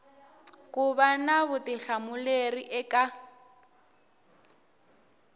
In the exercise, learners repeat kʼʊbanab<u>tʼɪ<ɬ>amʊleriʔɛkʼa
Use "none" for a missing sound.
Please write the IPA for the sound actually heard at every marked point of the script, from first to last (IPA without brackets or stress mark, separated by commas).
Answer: ʊ, ɬ